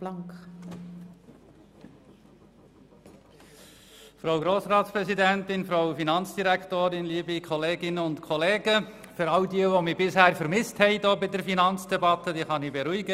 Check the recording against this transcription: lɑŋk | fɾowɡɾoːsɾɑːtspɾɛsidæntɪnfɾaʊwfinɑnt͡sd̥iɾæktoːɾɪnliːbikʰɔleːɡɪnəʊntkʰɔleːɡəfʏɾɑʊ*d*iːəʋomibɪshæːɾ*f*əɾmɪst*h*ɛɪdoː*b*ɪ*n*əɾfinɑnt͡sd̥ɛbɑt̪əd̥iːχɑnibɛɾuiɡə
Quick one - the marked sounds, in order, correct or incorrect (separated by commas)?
correct, correct, correct, correct, incorrect